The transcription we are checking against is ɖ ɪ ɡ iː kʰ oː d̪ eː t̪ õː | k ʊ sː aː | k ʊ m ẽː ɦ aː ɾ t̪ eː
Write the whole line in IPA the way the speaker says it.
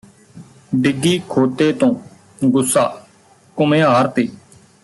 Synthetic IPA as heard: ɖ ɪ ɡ iː kʰ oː t̪ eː t̪ õː | ɡ ʊ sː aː | k ʊ m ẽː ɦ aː ɾ t̪ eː